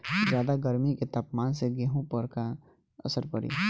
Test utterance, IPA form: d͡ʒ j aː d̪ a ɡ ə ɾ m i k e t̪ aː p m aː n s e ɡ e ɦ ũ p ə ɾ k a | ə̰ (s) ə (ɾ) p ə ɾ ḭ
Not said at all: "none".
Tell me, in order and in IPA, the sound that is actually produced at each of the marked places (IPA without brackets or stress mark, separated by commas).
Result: s, ɾ